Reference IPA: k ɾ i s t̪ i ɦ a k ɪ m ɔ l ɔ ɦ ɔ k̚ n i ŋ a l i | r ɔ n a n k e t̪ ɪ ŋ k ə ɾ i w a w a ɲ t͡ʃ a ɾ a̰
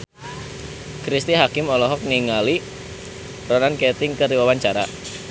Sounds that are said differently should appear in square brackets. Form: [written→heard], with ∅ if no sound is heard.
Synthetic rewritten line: k ɾ i s t̪ i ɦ a k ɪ m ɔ l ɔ ɦ ɔ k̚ n i ŋ a l i | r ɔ n a n k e t̪ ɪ ŋ k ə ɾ i w a w a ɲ t͡ʃ a ɾ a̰